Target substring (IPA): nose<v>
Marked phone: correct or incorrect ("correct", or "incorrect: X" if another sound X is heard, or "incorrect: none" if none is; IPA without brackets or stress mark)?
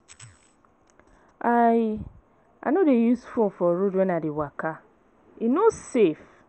incorrect: f